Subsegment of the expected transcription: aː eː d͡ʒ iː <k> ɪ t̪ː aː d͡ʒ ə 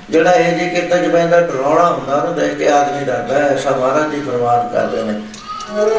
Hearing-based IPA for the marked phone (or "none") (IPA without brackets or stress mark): k